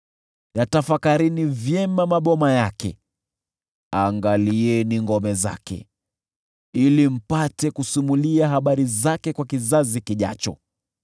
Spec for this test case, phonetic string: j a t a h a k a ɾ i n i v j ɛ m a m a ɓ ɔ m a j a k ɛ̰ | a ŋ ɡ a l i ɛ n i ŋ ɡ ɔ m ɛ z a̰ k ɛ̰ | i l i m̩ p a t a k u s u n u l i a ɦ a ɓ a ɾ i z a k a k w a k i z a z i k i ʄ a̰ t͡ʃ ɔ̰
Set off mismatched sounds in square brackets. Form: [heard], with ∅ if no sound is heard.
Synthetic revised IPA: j a t a [f] a k a ɾ i n i v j ɛ m a m a ɓ ɔ m a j a k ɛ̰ | a ŋ ɡ a l i ɛ n i ŋ ɡ ɔ m ɛ z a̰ k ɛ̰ | i l i m̩ p a t [ɛ] k u s u [m] u l i a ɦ a ɓ a ɾ i z a k [ɛ] k w a k i z a z i k i ʄ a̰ t͡ʃ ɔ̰